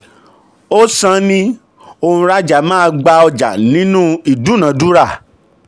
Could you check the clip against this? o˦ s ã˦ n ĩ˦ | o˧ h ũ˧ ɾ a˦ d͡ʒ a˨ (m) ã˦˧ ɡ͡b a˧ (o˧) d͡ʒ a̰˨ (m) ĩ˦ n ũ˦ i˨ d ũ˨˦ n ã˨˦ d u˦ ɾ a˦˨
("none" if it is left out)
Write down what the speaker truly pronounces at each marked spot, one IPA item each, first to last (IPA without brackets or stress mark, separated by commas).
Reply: m, ɔ˧, n